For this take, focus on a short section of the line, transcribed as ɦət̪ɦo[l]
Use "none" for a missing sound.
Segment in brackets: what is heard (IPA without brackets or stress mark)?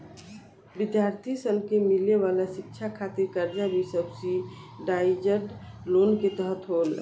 l